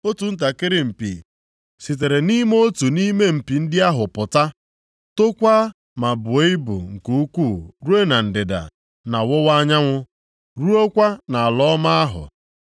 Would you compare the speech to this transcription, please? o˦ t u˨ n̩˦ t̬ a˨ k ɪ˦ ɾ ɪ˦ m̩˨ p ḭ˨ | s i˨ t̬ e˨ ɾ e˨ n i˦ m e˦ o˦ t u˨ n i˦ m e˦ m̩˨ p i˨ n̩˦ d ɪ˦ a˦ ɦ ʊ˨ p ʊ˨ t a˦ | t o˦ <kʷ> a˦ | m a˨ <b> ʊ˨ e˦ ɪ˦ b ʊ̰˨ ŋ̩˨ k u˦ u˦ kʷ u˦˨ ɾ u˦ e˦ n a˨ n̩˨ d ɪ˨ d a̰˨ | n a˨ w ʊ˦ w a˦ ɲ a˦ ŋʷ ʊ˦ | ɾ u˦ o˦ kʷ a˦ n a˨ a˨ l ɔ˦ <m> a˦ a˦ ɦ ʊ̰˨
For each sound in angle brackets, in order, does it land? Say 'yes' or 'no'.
yes, yes, yes

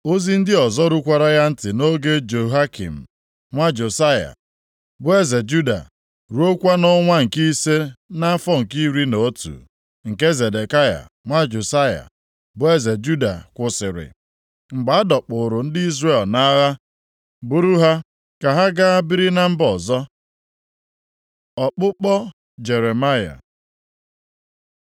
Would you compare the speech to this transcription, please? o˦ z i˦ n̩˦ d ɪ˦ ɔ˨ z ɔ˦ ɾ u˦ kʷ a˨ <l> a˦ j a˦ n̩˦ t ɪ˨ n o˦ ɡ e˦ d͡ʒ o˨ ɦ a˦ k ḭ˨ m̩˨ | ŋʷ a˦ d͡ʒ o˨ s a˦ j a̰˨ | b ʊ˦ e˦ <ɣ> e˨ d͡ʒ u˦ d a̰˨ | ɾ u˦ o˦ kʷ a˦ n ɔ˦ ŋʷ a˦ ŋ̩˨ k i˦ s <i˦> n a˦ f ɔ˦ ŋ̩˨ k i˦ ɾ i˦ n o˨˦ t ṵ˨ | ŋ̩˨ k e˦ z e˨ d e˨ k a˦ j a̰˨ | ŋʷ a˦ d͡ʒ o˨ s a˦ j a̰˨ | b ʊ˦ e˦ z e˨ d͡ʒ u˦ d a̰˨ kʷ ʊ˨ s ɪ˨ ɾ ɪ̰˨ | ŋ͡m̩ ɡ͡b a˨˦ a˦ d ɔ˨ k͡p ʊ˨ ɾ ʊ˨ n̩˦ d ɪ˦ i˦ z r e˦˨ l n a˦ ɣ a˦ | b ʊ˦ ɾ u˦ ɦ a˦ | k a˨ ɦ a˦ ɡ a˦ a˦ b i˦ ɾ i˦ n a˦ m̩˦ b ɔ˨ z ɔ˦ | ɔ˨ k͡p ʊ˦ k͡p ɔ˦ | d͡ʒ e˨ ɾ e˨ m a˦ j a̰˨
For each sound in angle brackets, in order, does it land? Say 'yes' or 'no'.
no, no, no

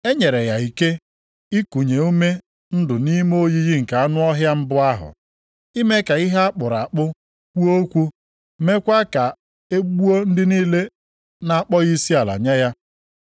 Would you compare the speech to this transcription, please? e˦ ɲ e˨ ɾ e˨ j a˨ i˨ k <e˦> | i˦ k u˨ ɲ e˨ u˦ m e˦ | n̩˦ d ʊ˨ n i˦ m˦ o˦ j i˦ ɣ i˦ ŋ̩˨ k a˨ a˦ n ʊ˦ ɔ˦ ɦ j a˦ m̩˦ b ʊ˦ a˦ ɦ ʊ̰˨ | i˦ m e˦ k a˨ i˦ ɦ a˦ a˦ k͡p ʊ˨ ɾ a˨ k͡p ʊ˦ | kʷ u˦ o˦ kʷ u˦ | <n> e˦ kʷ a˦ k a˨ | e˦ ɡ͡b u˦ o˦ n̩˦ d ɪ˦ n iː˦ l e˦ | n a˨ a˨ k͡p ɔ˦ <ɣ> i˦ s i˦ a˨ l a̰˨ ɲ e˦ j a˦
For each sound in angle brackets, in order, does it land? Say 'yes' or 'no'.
yes, no, yes

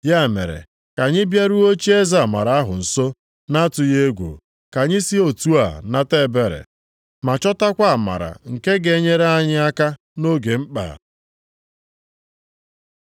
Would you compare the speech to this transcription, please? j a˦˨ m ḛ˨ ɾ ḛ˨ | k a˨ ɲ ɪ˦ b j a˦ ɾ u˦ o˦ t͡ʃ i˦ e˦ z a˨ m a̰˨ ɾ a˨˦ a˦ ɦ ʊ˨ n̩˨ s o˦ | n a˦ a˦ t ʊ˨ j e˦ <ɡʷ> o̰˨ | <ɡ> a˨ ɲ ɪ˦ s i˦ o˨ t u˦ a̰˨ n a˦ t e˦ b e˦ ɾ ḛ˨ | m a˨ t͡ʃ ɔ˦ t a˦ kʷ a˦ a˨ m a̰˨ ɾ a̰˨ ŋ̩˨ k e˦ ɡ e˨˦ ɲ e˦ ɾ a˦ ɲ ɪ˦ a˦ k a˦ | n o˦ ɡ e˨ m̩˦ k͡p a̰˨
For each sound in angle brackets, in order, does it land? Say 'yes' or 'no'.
yes, no

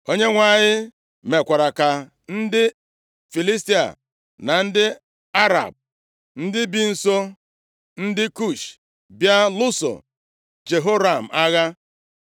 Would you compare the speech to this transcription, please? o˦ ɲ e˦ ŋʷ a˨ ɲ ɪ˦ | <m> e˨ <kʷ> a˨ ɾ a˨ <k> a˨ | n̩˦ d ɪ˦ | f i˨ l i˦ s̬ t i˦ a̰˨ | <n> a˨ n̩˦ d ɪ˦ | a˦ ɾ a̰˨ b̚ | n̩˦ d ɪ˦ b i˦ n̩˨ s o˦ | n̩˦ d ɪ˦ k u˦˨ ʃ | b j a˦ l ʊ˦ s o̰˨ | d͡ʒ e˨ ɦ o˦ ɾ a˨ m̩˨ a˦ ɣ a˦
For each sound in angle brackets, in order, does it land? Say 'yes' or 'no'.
yes, yes, yes, yes

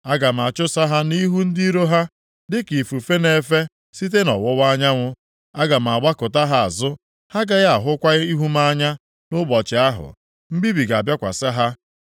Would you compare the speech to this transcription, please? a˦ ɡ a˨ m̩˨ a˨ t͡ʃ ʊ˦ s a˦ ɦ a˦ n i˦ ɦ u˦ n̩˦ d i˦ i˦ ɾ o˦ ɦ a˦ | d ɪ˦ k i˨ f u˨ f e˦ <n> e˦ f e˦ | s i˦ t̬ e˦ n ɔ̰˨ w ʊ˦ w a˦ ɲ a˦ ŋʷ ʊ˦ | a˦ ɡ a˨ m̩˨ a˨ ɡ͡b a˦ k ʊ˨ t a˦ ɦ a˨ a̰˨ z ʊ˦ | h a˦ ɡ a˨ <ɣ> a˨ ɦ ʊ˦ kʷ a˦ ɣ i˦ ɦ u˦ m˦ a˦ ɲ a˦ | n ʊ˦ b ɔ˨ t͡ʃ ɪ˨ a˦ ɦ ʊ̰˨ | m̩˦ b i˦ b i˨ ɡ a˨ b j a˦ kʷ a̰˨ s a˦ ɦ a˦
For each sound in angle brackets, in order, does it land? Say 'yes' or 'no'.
yes, yes

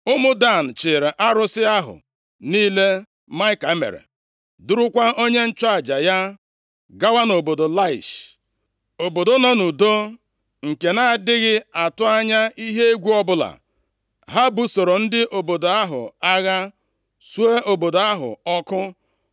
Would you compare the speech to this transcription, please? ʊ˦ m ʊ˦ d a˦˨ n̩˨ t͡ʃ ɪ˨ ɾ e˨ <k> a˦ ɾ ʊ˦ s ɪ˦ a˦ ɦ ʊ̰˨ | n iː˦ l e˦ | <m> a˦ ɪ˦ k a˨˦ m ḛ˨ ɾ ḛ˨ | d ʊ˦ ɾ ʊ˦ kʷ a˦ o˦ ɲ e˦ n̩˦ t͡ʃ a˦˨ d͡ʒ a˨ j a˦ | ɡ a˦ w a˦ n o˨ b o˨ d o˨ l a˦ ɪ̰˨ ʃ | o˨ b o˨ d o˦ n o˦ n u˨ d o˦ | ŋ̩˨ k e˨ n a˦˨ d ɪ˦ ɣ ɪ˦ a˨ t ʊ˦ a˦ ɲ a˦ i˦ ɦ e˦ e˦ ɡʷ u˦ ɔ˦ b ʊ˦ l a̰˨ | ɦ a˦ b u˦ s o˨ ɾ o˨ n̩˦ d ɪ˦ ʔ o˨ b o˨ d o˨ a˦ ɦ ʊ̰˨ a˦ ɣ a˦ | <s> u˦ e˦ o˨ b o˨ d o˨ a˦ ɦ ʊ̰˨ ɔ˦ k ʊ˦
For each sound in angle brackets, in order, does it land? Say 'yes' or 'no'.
no, yes, yes

